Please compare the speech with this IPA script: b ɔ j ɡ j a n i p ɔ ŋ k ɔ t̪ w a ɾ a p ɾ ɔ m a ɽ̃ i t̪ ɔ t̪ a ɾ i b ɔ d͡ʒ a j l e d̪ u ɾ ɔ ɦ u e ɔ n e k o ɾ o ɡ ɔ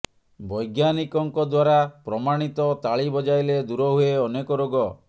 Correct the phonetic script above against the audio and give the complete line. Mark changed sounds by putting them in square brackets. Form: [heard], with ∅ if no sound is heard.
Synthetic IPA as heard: b ɔ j ɡ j a n i [k] ɔ ŋ k ɔ [d̪] w a ɾ a p ɾ ɔ m a ɽ̃ i t̪ ɔ t̪ a [ɭ] i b ɔ d͡ʒ a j l e d̪ u ɾ ɔ ɦ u e ɔ n e k [ɔ] ɾ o ɡ ɔ